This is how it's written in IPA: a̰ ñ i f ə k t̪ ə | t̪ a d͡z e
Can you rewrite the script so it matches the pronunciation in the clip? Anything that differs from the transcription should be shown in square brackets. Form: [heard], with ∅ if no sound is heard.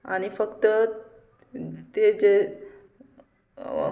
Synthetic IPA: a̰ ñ i f ə k t̪ ə | t̪ [e] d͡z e